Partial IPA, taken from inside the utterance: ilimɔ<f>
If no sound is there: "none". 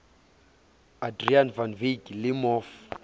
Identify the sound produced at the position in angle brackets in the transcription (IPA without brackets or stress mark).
f